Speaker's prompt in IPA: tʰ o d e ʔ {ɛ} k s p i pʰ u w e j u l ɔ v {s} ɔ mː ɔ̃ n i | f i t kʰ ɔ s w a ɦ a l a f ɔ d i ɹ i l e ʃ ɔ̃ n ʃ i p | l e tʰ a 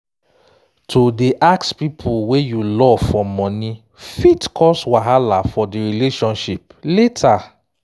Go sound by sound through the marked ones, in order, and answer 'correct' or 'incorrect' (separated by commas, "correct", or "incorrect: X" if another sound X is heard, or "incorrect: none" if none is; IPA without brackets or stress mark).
incorrect: a, incorrect: f